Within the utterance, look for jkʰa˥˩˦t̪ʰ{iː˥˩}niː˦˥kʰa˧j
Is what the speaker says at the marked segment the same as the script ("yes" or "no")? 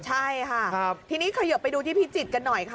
no